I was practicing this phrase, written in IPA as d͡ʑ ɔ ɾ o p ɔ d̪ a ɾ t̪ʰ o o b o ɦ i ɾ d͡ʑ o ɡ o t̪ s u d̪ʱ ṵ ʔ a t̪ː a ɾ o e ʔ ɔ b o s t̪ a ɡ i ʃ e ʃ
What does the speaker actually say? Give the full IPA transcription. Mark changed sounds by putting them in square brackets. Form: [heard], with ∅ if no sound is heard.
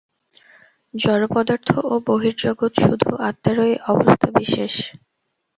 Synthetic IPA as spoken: d͡ʑ ɔ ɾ o p ɔ d̪ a ɾ t̪ʰ o o b o ɦ i ɾ d͡ʑ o ɡ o t̪ [ʃ] u d̪ʱ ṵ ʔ a t̪ː a ɾ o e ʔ ɔ b o s [t̪ʰ] a [b] i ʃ e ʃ

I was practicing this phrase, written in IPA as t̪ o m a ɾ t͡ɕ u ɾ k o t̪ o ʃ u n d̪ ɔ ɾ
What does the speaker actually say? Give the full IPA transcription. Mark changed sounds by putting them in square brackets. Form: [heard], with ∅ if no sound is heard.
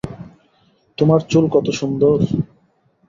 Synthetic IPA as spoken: t̪ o m a ɾ t͡ɕ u [l] k [ɔ] t̪ o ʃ u n d̪ [o] ɾ

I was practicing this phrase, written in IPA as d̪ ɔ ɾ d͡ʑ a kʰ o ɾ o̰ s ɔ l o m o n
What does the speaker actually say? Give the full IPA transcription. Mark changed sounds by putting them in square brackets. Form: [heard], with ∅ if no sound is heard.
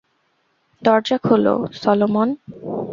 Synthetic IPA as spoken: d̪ ɔ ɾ d͡ʑ a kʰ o [l] o̰ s ɔ l o m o n

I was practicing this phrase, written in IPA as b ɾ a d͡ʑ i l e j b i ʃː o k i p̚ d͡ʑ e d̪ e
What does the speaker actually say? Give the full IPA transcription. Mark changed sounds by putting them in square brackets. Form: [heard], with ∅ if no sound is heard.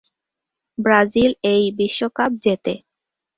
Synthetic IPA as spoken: b ɾ a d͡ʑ i l e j b i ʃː o k [a] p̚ d͡ʑ e [t̪] e

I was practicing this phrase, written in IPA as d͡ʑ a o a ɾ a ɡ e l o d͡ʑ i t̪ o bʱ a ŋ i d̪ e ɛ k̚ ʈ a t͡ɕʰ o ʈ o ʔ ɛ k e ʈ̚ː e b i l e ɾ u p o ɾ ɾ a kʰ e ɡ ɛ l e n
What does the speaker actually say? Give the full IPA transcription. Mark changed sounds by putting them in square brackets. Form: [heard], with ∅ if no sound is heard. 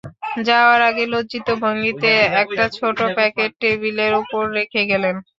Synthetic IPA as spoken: d͡ʑ a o a ɾ a ɡ e l o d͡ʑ i t̪ o bʱ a ŋ i [t̪] e ɛ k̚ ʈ a t͡ɕʰ o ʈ o [p] ɛ k e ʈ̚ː e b i l e ɾ u p o ɾ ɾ [e] kʰ e ɡ ɛ l e n

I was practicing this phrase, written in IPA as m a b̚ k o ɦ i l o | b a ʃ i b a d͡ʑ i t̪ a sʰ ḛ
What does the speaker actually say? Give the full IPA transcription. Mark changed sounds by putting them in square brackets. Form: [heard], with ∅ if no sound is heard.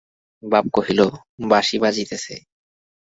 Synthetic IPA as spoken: [b] a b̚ k o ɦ i l o | b a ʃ i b a d͡ʑ i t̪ [e] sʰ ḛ

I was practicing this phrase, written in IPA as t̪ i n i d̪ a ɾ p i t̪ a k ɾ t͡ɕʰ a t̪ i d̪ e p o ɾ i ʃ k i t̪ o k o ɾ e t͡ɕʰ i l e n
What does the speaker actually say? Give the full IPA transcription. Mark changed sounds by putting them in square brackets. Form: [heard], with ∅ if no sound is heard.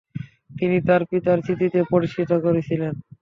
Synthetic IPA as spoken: t̪ i n i [t̪] a ɾ p i t̪ a [∅] ɾ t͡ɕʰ [i] t̪ i [t̪] e p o ɾ i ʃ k i t̪ o k o ɾ e t͡ɕʰ i l e n

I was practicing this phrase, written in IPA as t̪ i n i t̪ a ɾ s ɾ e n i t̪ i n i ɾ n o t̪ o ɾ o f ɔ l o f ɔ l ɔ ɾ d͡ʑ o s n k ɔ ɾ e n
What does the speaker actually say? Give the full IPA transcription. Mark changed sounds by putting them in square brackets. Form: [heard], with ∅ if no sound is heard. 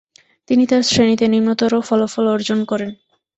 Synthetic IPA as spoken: t̪ i n i t̪ a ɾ s ɾ e n i t̪ [e] n i ɾ [m] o t̪ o ɾ o f ɔ l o f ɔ l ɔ ɾ d͡ʑ o [∅] n k ɔ ɾ e n

